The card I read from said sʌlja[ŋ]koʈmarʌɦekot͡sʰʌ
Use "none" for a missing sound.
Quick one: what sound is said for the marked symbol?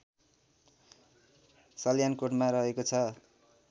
n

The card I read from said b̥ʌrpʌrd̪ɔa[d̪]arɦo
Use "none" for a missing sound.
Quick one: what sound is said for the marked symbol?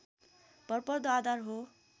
d̪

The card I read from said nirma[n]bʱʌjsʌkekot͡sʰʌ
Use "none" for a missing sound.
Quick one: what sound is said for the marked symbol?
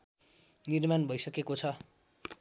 n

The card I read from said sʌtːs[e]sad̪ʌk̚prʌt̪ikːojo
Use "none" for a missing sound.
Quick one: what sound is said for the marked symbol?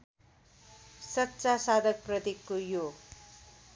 a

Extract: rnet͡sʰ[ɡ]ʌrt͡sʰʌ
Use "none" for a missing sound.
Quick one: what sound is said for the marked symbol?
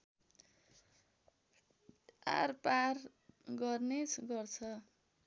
ɡ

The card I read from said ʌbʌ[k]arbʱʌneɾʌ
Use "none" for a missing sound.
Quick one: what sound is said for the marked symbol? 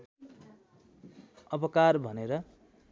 k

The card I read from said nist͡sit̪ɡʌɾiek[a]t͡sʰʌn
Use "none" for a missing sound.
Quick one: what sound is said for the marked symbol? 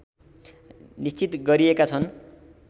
a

